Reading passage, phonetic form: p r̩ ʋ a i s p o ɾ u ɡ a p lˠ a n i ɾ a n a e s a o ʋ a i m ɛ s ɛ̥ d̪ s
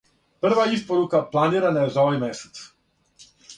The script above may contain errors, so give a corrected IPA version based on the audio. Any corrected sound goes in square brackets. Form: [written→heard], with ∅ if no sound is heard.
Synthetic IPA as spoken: p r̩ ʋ a i s p o ɾ u [ɡ→k] a p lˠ a n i ɾ a n a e [s→z] a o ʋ a [i→j] m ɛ s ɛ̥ [d̪→t̪] s